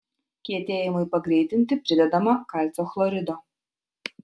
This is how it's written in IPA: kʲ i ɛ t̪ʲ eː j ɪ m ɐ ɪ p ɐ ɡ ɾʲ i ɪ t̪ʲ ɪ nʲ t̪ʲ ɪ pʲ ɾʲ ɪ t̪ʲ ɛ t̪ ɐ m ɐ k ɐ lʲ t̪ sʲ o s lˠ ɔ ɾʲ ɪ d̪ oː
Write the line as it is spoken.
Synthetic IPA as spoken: kʲ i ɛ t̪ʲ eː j ɪ m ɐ ɪ p ɐ ɡ ɾʲ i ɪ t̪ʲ ɪ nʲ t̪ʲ ɪ pʲ ɾʲ ɪ d̪ʲ ɛ d̪ ɐ m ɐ k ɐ lʲ t̪ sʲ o x lˠ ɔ ɾʲ ɪ d̪ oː

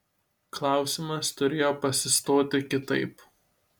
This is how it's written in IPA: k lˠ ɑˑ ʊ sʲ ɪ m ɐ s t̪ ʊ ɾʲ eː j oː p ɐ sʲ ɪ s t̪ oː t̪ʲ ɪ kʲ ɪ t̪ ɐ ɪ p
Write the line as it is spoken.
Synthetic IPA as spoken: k lˠ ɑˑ ʊ sʲ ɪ m ɐ s t̪ ʊ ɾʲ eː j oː p ɐ sʲ ɪ s t̪ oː t̪ʲ ɪ kʲ ɪ t̪ ɐ ɪ p

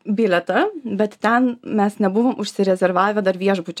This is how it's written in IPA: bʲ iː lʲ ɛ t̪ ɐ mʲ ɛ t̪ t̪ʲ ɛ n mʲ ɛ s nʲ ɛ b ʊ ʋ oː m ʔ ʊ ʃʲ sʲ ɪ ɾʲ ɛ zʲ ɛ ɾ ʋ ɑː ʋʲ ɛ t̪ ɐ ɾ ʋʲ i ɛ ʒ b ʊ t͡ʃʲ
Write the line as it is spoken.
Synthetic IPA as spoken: bʲ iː lʲ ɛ t̪ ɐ bʲ ɛ t̪ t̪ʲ ɛ n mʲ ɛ s nʲ ɛ b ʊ ʋ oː m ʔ ʊ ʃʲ sʲ ɪ ɾʲ ɛ zʲ ɛ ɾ ʋ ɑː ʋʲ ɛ d̪ ɐ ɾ ʋʲ i ɛ ʒ b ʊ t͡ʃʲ

